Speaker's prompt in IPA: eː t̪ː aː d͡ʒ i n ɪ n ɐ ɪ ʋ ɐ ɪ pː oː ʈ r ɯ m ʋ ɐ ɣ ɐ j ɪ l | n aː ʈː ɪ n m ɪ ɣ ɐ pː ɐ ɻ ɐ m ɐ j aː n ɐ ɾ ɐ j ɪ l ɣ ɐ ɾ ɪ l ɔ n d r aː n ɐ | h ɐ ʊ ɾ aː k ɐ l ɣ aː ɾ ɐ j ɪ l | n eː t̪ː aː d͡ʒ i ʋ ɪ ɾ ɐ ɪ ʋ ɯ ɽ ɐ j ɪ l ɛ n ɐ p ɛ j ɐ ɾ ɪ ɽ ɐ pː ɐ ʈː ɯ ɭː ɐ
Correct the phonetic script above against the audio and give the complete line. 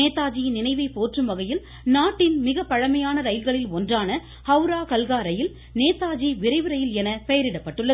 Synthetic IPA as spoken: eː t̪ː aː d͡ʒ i n ɪ n ɐ ɪ ʋ ɐ ɪ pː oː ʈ r ɯ m ʋ ɐ ɣ ɐ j ɪ l | n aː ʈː ɪ n m ɪ ɣ ɐ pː ɐ ɻ ɐ m ɐ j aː n ɐ ɾ ɐ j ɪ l ɣ ɐ ɭ ɪ l ɔ n d r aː n ɐ | h ɐ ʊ ɾ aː k ɐ l ɣ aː ɾ ɐ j ɪ l | n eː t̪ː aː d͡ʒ i ʋ ɪ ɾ ɐ ɪ ʋ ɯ ɾ ɐ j ɪ l ɛ n ɐ p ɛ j ɐ ɾ ɪ ɽ ɐ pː ɐ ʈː ɯ ɭː ɐ